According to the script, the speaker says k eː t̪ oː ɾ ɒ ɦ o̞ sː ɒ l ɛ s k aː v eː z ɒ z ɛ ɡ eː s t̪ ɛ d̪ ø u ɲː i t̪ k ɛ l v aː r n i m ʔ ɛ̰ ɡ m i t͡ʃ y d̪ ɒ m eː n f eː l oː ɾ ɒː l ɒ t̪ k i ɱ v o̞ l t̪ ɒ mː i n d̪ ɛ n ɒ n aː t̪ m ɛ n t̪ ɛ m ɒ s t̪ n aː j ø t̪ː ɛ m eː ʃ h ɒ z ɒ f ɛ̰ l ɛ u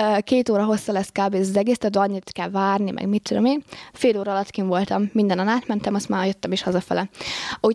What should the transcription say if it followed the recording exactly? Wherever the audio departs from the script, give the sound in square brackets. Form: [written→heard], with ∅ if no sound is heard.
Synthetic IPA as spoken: k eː t̪ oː ɾ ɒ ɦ o̞ sː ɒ l ɛ s k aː [v→b] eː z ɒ z ɛ ɡ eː s t̪ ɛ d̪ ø [u→ɒ] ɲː i t̪ k ɛ l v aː r n i m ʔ ɛ̰ ɡ m i t͡ʃ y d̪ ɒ m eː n f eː l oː ɾ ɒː l ɒ t̪ k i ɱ v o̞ l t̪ ɒ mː i n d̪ ɛ n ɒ n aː t̪ m ɛ n t̪ ɛ m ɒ s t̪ [n→m] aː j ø t̪ː ɛ m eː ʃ h ɒ z ɒ f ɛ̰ l ɛ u